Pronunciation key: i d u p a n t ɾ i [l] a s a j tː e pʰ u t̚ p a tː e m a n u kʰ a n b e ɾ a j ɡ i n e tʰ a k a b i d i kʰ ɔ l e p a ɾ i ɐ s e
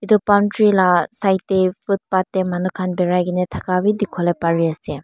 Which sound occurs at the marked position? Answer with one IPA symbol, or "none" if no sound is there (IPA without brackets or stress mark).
l